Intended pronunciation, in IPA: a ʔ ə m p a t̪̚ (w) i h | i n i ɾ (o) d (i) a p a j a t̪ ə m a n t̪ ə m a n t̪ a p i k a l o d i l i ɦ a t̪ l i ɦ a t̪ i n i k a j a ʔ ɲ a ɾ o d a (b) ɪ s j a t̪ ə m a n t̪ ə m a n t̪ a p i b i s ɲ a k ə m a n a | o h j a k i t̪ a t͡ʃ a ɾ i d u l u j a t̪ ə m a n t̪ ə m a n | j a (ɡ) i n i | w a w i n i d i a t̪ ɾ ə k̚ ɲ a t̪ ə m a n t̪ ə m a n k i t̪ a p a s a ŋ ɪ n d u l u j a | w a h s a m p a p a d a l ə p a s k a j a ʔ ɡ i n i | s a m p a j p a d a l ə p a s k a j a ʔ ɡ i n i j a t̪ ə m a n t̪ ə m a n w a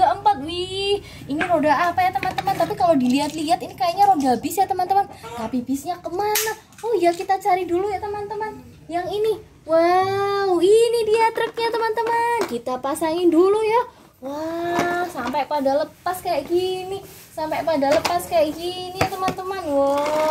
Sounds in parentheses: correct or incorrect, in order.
correct, correct, incorrect: a, correct, incorrect: ŋ

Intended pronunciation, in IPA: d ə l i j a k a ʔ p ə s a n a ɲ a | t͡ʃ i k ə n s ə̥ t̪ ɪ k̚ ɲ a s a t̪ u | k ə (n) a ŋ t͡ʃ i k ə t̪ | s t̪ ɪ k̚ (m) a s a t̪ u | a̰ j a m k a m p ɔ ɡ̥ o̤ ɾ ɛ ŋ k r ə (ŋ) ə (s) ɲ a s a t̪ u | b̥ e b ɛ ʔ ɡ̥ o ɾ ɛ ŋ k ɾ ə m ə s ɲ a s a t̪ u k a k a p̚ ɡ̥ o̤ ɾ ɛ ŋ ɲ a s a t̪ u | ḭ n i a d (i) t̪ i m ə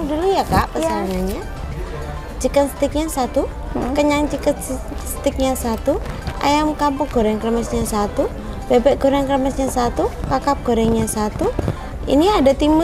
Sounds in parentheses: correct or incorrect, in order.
incorrect: ɲ, incorrect: ɲ, incorrect: m, correct, incorrect: a

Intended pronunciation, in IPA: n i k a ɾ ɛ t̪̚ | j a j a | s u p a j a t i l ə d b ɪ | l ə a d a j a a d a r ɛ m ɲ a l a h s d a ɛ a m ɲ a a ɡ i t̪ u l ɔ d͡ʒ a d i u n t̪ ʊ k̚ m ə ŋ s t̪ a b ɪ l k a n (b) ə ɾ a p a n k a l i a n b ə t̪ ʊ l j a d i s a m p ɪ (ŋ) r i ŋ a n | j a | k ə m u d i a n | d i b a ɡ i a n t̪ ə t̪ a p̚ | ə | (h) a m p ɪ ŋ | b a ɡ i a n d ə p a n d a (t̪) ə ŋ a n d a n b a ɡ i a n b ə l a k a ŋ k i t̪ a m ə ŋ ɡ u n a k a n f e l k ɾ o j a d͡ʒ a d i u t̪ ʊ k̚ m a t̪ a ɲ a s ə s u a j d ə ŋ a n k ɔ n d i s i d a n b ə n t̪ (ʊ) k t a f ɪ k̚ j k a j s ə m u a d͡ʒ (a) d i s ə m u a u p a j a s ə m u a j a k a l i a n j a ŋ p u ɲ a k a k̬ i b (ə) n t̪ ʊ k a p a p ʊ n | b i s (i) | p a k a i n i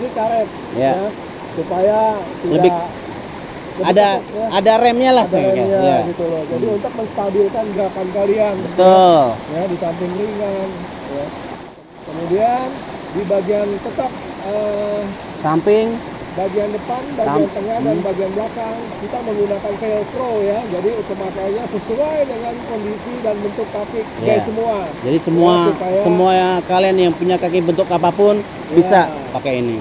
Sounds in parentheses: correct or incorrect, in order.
incorrect: ɡ, correct, incorrect: s, correct, correct, correct, correct, incorrect: a

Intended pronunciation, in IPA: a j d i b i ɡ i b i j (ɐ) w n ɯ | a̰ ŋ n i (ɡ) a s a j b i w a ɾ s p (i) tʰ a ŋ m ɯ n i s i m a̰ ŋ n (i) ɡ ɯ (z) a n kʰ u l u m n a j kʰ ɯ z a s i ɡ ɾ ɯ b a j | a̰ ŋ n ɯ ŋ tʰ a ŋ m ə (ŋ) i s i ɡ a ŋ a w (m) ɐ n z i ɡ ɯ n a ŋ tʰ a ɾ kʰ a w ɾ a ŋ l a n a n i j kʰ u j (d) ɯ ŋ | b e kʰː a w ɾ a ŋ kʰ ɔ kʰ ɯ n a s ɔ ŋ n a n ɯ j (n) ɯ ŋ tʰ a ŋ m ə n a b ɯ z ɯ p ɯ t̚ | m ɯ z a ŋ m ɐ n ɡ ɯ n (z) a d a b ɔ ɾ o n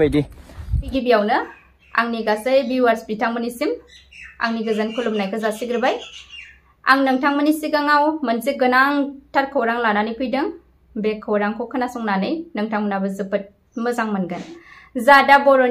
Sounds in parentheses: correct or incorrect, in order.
incorrect: a, correct, correct, correct, correct, incorrect: n, correct, correct, correct, correct

